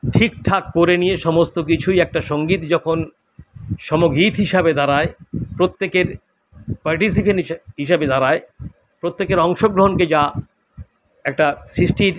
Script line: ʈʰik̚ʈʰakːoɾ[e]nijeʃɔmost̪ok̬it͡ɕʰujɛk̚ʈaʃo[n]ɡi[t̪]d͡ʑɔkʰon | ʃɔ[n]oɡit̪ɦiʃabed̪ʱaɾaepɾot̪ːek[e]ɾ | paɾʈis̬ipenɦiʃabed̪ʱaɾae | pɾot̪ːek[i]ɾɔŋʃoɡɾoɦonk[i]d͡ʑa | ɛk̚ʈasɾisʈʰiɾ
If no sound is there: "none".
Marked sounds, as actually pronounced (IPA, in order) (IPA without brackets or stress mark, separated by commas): e, ŋ, t̪, m, e, e, e